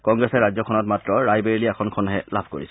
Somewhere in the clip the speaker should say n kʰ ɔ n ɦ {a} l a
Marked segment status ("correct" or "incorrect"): incorrect